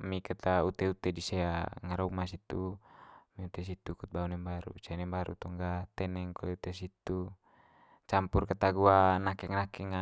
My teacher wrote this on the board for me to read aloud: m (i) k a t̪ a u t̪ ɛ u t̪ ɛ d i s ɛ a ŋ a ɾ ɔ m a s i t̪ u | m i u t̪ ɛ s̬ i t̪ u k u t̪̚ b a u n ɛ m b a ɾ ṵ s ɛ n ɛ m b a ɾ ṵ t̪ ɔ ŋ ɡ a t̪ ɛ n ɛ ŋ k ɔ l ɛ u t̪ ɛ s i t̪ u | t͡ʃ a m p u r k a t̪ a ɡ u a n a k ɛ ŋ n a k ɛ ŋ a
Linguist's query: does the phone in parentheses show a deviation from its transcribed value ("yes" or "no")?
no